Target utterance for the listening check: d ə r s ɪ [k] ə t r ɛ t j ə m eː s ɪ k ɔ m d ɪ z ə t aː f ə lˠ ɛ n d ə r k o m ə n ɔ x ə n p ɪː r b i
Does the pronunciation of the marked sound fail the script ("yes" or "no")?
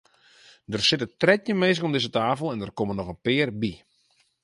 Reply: yes